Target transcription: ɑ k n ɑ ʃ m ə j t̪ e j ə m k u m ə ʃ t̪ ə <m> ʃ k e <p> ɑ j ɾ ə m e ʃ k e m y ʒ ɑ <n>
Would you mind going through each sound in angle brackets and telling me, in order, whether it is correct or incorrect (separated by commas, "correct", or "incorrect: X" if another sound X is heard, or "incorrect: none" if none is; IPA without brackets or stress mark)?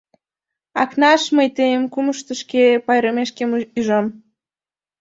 incorrect: none, correct, incorrect: m